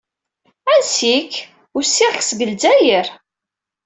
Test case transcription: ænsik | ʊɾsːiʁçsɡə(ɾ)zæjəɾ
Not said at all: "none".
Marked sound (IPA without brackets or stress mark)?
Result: l